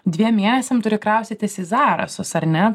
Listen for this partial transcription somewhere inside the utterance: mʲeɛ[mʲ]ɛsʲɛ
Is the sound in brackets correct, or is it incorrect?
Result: incorrect